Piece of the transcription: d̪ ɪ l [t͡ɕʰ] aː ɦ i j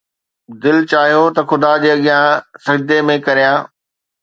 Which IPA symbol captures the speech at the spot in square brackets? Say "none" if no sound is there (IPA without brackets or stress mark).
t͡ɕ